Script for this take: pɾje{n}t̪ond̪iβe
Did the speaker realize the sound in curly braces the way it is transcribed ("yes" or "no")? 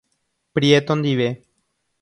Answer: no